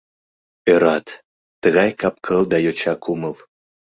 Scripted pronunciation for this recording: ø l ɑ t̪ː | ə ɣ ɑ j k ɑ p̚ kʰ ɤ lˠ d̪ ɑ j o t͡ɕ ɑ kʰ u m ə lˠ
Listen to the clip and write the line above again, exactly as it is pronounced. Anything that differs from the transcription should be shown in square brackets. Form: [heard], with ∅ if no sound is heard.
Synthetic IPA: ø [ɾ] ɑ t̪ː | ə ɣ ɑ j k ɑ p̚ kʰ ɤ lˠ d̪ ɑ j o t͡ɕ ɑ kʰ u m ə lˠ